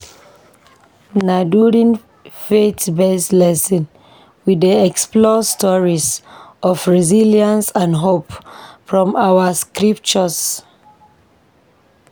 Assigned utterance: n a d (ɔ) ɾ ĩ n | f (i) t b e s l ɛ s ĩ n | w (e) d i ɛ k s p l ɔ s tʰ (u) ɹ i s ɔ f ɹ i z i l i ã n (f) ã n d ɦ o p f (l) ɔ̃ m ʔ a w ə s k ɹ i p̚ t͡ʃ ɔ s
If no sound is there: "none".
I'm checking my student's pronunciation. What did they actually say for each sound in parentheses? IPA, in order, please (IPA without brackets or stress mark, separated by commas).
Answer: u, e, i, ɔ, s, ɹ